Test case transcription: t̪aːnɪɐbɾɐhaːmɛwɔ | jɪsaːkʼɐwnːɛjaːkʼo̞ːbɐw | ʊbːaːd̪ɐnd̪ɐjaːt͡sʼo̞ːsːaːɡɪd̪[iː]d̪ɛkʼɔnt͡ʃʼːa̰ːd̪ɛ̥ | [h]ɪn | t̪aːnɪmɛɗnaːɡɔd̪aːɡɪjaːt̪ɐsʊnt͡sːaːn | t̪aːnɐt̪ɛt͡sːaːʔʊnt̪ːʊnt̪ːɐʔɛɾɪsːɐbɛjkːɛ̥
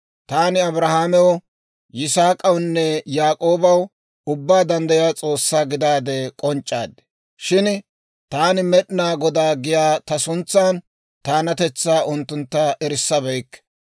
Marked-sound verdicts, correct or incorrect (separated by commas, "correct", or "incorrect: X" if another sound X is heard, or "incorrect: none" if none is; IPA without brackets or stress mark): incorrect: aː, incorrect: ʃ